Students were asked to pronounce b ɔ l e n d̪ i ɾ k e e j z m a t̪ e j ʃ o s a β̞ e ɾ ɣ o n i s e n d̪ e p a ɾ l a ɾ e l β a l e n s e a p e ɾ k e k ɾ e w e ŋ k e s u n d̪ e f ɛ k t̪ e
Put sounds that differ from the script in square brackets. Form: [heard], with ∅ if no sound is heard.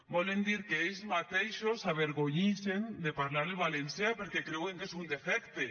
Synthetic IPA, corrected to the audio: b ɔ l e n d̪ i ɾ k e e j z m a t̪ e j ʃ o s a β̞ e ɾ ɣ o [ɲ] i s e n d̪ e p a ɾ l a ɾ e l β a l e n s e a p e ɾ k e k ɾ e w e ŋ k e s u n d̪ e f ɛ k t̪ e